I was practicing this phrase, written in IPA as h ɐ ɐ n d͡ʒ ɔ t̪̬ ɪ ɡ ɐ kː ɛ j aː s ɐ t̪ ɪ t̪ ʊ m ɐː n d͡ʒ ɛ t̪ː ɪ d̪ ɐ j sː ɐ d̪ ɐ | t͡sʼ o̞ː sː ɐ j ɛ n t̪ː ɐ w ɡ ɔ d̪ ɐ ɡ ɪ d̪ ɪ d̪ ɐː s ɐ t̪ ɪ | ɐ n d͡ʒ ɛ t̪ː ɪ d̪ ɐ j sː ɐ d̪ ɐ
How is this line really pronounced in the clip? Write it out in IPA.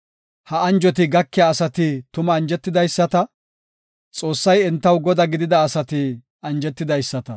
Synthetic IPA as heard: h ɐ ɐ n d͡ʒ ɔ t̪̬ ɪ ɡ ɐ kː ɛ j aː s ɐ t̪ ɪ t̪ ʊ m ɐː n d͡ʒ ɛ t̪ː ɪ d̪ ɐ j sː ɐ t̪ ɐ | t͡sʼ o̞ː sː ɐ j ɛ n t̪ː ɐ w ɡ ɔ d̪ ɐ ɡ ɪ d̪ ɪ d̪ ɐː s ɐ t̪ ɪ | ɐ n d͡ʒ ɛ t̪ː ɪ d̪ ɐ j sː ɐ t̪ ɐ

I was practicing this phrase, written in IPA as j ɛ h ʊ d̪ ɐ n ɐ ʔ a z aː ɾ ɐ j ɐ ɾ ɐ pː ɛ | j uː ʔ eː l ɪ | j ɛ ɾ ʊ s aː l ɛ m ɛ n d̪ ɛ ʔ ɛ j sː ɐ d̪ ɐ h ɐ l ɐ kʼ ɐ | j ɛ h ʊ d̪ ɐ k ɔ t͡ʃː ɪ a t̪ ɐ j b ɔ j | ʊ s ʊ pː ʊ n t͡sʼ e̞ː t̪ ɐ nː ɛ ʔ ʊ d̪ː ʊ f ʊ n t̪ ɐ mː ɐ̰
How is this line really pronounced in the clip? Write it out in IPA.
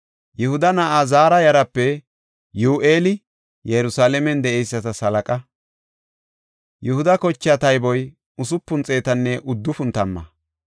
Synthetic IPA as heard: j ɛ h ʊ d̪ ɐ n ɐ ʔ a z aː ɾ ɐ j ɐ ɾ ɐ pː ɛ | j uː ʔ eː l ɪ | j ɛ ɾ ʊ s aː l ɛ m ɛ n d̪ ɛ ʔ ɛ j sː ɐ t̪ ɐ s ɐ l ɐ kʼ ɐ | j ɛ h ʊ d̪ ɐ k ɔ t͡ʃː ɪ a t̪ ɐ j b ɔ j | ʊ s ʊ pː ʊ n t͡sʼ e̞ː t̪ ɐ nː ɛ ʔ ʊ d̪ː ʊ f ʊ n t̪ ɐ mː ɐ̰

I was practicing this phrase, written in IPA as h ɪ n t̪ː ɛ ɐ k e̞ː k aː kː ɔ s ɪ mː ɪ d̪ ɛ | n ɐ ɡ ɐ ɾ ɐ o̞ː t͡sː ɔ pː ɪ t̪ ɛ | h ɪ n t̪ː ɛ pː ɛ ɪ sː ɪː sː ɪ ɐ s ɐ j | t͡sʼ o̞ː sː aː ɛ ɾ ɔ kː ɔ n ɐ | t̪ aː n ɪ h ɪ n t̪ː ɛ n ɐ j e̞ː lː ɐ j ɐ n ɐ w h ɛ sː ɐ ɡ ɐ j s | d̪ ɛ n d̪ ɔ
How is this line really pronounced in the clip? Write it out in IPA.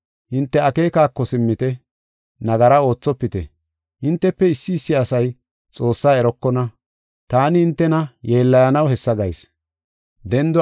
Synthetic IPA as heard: h ɪ n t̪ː ɛ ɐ k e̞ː k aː kː ɔ s ɪ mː ɪ t̪ ɛ | n ɐ ɡ ɐ ɾ ɐ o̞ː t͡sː ɔ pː ɪ t̪ ɛ | h ɪ n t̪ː ɛ pː ɛ ɪ sː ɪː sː ɪ ɐ s ɐ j | t͡sʼ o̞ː sː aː ɛ ɾ ɔ kː ɔ n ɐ | t̪ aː n ɪ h ɪ n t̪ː ɛ n ɐ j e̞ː lː ɐ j ɐ n ɐ w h ɛ sː ɐ ɡ ɐ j s | d̪ ɛ n d̪ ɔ

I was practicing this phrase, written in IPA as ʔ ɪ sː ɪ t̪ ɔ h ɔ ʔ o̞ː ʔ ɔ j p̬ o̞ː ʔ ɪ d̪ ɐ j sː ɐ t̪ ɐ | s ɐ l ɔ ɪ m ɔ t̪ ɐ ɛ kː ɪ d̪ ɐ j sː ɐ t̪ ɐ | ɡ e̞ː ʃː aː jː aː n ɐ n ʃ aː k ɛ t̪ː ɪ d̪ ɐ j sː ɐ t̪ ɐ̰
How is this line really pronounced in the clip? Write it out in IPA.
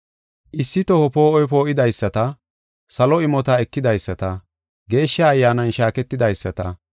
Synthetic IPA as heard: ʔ ɪ sː ɪ t̪ ɔ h ɔ p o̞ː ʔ ɔ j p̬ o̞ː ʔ ɪ d̪ ɐ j sː ɐ t̪ ɐ | s ɐ l ɔ ɪ m ɔ t̪ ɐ ɛ kː ɪ d̪ ɐ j sː ɐ t̪ ɐ | ɡ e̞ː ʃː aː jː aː n ɐ n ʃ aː k ɛ t̪ː ɪ d̪ ɐ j sː ɐ t̪ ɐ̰

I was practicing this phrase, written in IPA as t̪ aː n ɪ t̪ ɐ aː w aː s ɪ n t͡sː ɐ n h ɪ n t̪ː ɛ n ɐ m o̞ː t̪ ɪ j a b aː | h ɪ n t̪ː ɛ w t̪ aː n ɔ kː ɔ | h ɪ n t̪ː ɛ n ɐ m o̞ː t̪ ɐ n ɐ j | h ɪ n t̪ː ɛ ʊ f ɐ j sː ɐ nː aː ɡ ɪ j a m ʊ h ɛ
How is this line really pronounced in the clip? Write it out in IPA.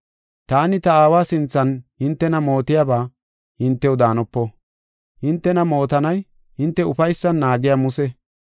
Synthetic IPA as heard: t̪ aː n ɪ t̪ ɐ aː w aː s ɪ n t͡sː ɐ n h ɪ n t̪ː ɛ n ɐ m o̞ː t̪ ɪ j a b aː | h ɪ n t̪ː ɛ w d̪ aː n ɔ pː ɔ | h ɪ n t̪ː ɛ n ɐ m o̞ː t̪ ɐ n ɐ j | h ɪ n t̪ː ɛ ʊ f ɐ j sː ɐ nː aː ɡ ɪ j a m ʊ s ɛ

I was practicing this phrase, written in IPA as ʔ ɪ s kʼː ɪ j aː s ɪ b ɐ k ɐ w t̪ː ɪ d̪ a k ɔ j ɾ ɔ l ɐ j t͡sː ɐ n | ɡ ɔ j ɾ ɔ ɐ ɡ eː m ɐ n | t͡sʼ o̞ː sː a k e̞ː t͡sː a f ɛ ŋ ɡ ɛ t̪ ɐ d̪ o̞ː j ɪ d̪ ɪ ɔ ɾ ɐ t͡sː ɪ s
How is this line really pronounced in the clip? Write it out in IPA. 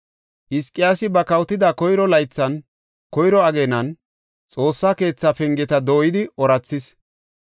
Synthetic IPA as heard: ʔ ɪ s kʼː ɪ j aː s ɪ b ɐ k ɐ w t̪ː ɪ d̪ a k ɔ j ɾ ɔ l ɐ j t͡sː ɐ n | k ɔ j ɾ ɔ ɐ ɡ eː n ɐ n | t͡sʼ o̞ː sː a k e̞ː t͡sː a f ɛ ŋ ɡ ɛ t̪ ɐ d̪ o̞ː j ɪ d̪ ɪ ɔ ɾ ɐ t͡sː ɪ s

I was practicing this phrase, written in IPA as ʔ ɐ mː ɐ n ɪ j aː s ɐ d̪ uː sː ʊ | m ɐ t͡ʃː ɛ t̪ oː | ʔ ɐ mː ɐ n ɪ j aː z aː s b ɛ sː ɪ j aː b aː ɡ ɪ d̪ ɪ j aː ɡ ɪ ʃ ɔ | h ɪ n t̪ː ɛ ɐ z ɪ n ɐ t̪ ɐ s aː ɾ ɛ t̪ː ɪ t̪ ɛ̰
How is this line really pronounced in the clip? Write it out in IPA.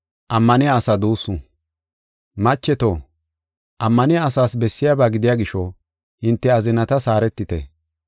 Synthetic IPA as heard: ʔ ɐ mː ɐ n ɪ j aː s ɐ d̪ uː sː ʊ | m ɐ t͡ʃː ɛ t̪ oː | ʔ ɐ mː ɐ n ɪ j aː s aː s b ɛ sː ɪ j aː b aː ɡ ɪ d̪ ɪ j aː ɡ ɪ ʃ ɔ | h ɪ n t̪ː ɛ ɐ z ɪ n ɐ t̪ ɐ s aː ɾ ɛ t̪ː ɪ t̪ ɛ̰

